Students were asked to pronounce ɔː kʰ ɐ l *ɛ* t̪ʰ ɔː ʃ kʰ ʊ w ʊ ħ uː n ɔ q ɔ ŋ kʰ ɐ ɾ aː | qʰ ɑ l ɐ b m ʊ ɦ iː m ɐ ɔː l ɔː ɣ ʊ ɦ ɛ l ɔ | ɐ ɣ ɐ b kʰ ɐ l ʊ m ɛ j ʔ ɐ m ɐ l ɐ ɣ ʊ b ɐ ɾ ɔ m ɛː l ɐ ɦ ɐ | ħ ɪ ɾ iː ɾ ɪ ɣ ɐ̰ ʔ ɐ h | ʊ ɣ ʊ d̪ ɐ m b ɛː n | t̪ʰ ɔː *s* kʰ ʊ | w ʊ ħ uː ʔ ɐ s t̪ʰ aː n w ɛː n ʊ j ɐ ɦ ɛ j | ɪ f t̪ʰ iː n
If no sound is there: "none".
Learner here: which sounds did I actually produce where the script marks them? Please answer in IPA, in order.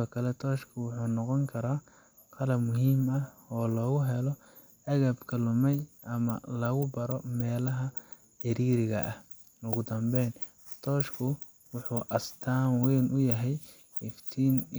ɛ, ʃ

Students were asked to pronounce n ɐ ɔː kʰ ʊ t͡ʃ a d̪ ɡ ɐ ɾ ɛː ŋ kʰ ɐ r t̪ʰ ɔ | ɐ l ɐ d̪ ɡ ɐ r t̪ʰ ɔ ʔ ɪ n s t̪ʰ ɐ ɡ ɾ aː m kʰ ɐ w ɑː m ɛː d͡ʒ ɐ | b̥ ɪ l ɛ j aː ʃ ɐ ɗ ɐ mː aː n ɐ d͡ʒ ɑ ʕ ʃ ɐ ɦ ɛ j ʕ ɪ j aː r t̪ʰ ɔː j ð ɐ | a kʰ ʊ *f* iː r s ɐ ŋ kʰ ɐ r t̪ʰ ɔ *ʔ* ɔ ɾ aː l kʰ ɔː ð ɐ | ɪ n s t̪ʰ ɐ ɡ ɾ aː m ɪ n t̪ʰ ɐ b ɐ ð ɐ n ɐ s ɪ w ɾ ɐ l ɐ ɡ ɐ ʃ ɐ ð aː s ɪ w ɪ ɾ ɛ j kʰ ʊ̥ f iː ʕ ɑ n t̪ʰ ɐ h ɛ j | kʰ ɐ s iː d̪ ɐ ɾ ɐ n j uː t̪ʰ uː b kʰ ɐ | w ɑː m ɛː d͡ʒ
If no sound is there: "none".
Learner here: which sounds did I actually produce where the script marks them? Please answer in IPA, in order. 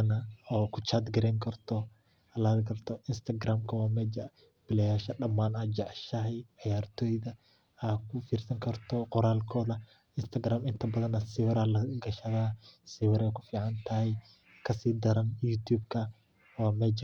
f, q

